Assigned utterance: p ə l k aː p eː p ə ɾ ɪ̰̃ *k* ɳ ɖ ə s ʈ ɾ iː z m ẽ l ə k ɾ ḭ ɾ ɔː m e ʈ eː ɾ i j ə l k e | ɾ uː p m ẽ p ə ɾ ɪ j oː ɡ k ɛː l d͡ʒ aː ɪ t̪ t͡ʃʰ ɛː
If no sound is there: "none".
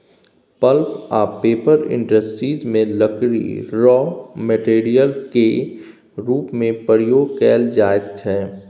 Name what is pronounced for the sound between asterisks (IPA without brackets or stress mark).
none